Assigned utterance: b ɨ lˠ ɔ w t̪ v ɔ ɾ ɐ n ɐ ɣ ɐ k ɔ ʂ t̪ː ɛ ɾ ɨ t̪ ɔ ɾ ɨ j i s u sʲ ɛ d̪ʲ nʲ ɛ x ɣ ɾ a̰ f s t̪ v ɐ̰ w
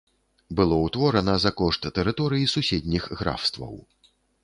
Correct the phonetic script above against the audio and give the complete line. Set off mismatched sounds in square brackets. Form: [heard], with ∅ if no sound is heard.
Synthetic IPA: b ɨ lˠ ɔ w t̪ v ɔ ɾ ɐ n ɐ [z] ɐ k ɔ ʂ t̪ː ɛ ɾ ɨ t̪ ɔ ɾ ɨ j i s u sʲ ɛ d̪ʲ nʲ [i] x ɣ ɾ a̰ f s t̪ v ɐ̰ w